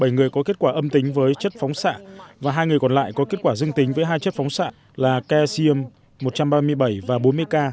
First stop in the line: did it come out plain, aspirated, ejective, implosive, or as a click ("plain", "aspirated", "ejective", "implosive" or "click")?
implosive